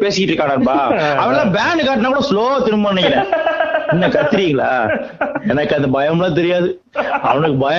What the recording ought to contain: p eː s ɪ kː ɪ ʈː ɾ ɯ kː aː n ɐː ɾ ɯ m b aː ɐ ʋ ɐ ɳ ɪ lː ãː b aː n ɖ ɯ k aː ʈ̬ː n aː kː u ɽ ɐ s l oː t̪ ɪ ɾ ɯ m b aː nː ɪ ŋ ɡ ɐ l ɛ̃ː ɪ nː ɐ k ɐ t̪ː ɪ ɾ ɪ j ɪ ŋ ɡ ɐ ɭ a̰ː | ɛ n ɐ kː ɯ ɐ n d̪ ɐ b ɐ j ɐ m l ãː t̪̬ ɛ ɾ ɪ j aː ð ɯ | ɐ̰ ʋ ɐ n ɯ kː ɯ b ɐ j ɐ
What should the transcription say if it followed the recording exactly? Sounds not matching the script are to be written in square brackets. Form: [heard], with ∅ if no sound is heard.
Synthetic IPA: p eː s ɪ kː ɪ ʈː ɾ ɯ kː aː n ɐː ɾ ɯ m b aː ɐ ʋ ɐ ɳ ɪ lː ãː b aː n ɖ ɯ k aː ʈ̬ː n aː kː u ɽ ɐ s l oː t̪ ɪ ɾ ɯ m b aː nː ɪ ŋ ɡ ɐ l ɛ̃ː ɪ nː ɐ k ɐ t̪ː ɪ ɾ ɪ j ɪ ŋ ɡ ɐ ɭ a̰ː | ɛ n ɐ kː ɯ ɐ n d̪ ɐ b ɐ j ɐ m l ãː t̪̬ ɛ ɾ ɪ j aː ð ɯ | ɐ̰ ʋ ɐ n ɯ kː ɯ b ɐ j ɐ